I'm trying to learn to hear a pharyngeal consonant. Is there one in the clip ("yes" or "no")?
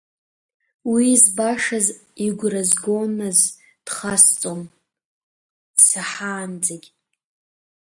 yes